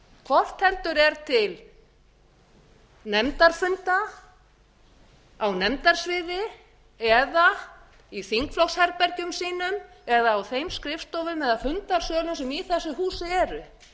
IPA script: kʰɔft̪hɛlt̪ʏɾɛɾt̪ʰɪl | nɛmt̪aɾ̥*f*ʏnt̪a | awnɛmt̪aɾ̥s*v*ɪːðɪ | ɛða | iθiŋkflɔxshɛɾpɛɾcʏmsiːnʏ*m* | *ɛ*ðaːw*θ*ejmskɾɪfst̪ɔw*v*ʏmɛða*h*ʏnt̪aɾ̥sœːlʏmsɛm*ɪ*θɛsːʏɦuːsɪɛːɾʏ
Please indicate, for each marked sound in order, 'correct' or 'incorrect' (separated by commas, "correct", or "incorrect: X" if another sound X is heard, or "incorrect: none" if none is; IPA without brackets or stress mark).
correct, correct, correct, correct, correct, correct, incorrect: f, incorrect: i